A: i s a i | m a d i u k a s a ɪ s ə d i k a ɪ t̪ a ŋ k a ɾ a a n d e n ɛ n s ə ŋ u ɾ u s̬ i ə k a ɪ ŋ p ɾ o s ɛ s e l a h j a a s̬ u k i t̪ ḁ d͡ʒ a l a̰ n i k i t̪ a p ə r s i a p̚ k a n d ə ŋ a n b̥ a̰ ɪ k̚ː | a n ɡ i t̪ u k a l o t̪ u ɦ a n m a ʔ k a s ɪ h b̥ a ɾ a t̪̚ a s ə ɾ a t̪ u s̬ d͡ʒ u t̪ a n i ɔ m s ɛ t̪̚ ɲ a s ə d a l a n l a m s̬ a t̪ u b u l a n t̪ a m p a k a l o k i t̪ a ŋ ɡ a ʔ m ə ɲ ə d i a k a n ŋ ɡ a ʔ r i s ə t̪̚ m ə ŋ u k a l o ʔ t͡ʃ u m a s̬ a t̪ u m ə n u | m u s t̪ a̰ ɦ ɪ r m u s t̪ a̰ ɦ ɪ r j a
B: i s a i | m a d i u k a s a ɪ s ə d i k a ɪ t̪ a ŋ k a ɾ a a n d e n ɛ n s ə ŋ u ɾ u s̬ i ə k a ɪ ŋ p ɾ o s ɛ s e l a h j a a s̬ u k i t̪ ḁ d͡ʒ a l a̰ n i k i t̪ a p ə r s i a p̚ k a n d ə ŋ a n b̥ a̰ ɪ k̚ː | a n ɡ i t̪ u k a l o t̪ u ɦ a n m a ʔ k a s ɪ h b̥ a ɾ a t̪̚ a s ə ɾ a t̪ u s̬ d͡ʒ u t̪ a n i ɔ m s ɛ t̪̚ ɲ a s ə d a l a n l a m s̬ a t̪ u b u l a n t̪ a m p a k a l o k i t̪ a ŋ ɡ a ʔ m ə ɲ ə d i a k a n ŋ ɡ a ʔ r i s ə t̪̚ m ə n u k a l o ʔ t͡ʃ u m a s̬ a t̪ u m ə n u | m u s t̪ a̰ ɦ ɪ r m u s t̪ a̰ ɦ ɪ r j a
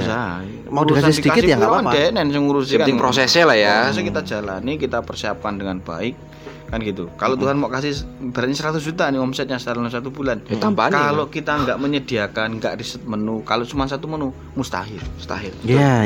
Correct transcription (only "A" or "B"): B